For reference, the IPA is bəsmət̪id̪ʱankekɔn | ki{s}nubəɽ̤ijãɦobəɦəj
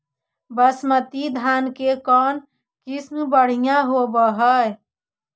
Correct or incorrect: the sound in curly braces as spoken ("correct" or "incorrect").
correct